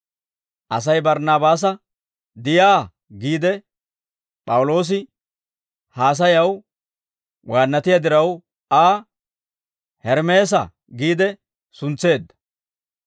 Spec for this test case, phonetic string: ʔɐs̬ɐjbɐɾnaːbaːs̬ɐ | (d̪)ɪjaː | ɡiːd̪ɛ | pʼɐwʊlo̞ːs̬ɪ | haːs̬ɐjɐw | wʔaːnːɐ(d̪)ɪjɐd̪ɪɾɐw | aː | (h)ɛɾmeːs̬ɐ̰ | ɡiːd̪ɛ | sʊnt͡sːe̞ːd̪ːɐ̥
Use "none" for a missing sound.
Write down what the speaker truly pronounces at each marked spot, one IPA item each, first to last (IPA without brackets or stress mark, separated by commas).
d̪, t̪, h